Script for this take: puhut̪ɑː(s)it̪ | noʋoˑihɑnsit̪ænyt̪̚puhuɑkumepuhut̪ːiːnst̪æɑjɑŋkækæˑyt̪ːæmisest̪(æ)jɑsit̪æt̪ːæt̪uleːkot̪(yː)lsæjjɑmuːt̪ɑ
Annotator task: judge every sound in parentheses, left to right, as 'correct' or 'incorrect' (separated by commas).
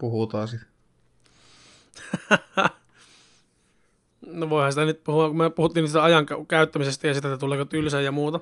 correct, correct, incorrect